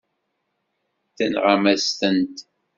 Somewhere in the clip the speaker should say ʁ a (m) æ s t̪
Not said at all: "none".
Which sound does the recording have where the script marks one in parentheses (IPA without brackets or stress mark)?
m